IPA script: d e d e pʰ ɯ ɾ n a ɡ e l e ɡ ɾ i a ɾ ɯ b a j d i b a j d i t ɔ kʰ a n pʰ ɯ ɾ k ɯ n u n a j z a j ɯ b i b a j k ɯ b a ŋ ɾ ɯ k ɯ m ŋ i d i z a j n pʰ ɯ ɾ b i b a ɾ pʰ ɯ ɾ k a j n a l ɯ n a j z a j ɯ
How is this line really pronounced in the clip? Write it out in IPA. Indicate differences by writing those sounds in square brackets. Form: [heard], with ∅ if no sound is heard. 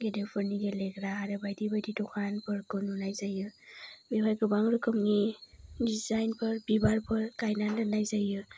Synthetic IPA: [ɡ] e d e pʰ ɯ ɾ n [i] ɡ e l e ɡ ɾ [a] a ɾ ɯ b a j d i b a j d i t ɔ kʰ a n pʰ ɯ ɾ k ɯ n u n a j z a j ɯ b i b a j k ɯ b a ŋ ɾ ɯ k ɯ m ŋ i d i z a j n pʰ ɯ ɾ b i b a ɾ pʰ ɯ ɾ k a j n a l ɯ n a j z a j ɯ